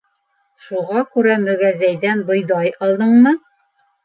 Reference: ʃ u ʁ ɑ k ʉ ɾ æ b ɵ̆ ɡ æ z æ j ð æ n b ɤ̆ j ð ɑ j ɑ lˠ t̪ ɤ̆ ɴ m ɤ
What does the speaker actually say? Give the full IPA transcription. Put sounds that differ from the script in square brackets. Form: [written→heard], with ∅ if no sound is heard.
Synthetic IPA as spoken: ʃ u ʁ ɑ k ʉ ɾ æ [b→m] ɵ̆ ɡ æ z æ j ð æ n b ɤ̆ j ð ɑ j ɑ lˠ [t̪→d̪] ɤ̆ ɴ m ɤ